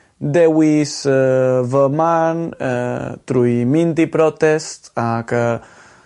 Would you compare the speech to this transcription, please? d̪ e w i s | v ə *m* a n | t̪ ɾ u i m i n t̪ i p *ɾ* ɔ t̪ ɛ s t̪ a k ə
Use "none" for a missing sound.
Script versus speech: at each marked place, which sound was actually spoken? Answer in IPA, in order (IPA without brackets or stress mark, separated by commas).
m, ɾ